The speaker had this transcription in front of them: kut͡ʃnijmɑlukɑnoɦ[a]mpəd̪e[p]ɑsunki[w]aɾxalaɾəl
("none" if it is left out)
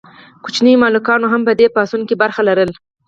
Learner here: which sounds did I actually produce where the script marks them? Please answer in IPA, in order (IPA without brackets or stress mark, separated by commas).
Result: a, p, b